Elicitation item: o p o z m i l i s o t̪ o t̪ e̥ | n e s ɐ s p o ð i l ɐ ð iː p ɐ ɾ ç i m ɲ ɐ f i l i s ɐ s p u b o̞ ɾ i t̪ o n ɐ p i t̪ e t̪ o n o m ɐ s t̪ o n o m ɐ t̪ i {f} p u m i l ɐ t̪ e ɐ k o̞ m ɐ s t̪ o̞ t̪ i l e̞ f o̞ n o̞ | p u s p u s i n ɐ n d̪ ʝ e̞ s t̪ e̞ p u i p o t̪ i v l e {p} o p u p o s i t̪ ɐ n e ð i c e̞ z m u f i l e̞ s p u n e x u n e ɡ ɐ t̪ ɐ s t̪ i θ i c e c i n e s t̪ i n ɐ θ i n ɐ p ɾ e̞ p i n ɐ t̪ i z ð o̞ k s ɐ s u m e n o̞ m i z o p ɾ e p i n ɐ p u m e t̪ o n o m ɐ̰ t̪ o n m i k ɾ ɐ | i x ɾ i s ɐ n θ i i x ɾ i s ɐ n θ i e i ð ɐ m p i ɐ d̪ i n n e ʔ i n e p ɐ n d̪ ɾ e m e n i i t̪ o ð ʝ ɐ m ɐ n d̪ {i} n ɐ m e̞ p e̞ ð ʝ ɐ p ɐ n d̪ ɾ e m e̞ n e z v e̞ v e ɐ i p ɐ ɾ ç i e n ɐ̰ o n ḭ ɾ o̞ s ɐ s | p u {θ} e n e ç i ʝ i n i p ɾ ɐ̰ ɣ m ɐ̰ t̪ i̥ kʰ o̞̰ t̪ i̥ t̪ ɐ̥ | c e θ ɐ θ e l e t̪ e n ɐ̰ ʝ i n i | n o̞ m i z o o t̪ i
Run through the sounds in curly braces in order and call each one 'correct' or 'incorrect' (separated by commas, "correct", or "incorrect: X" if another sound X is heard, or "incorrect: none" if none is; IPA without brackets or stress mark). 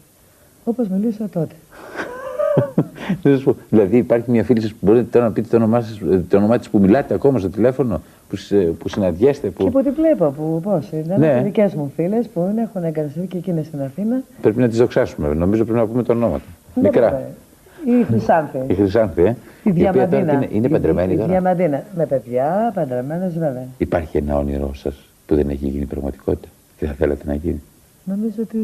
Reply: incorrect: s, correct, correct, incorrect: ð